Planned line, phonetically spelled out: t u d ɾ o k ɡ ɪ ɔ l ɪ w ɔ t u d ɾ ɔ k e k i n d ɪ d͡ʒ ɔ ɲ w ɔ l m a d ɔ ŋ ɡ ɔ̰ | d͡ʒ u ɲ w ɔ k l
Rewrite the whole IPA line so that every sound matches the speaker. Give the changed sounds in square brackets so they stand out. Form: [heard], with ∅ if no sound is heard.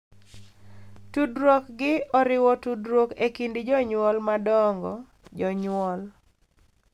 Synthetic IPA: t u d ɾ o k ɡ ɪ ɔ [ɾ] ɪ w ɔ t u d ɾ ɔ k e k i n d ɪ d͡ʒ ɔ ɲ w ɔ l m a d ɔ ŋ ɡ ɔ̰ | d͡ʒ [ɔ] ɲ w ɔ [∅] l